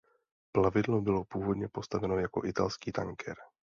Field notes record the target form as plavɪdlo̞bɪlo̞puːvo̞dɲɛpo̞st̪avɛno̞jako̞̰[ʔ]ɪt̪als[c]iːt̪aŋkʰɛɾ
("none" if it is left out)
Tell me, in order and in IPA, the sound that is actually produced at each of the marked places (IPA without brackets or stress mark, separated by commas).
ʔ, k